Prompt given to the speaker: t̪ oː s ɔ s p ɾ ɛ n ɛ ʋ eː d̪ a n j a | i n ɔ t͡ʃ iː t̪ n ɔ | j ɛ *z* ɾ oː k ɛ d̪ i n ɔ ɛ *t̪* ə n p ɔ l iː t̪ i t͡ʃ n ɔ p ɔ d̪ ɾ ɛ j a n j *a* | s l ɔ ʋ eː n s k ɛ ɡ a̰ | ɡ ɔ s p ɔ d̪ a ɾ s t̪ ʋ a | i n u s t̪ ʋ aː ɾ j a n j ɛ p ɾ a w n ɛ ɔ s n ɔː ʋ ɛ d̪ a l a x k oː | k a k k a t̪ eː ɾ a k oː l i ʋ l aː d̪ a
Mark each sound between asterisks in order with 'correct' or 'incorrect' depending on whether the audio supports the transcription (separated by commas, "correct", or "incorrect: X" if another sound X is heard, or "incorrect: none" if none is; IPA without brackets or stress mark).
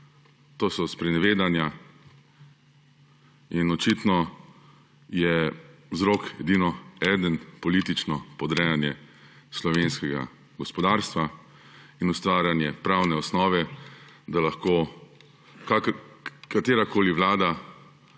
correct, incorrect: d̪, incorrect: ɛ